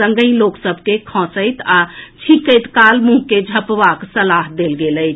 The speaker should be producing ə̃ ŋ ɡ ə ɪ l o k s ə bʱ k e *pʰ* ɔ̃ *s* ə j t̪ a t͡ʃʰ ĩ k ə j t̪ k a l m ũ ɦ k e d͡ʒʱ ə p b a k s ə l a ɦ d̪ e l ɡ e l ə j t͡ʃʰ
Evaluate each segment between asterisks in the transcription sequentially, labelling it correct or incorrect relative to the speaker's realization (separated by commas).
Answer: incorrect, correct